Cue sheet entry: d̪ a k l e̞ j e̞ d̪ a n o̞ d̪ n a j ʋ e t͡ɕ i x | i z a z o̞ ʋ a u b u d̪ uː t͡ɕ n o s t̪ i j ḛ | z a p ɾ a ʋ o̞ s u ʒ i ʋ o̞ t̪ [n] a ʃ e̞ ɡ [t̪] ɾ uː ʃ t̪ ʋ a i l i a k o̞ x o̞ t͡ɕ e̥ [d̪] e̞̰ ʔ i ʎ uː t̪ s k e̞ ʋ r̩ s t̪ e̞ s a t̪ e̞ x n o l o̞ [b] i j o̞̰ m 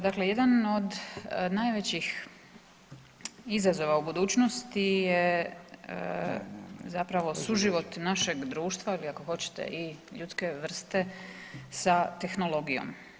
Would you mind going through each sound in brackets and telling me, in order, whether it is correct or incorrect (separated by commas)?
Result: correct, incorrect, incorrect, incorrect